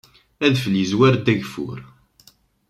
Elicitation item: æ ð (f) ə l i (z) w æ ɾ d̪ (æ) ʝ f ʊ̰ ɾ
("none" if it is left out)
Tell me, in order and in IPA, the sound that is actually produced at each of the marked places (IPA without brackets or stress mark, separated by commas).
f, z, æ